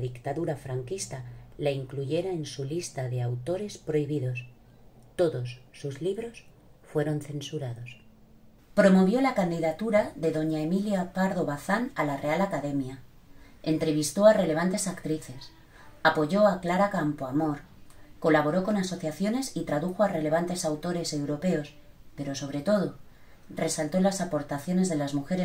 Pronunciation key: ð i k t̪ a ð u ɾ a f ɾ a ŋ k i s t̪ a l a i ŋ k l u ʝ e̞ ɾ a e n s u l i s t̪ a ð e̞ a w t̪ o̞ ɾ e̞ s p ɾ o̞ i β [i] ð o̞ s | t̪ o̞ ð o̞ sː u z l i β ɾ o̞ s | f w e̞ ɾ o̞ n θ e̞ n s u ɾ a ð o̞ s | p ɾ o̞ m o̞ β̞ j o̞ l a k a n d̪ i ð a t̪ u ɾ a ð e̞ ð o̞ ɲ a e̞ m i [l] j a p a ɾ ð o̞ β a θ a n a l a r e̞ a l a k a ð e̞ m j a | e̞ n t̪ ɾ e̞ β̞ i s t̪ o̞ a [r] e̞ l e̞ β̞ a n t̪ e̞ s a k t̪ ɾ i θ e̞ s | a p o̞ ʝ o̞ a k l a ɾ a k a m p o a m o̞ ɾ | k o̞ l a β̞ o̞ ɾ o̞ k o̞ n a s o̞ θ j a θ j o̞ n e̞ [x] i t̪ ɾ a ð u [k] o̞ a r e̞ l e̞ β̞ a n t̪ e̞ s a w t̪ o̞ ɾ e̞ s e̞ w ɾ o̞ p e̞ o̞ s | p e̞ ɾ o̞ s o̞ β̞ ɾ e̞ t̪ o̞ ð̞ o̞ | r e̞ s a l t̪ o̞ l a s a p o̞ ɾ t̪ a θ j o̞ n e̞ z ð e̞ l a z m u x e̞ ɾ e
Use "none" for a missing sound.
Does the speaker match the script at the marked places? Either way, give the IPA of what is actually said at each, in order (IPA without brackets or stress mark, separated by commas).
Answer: i, l, r, s, x